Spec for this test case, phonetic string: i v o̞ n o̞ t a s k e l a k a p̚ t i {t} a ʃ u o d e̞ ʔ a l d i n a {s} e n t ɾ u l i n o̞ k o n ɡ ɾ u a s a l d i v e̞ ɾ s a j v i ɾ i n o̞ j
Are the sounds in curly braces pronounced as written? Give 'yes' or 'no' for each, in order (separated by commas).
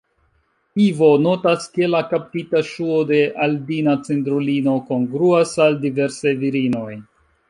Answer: yes, no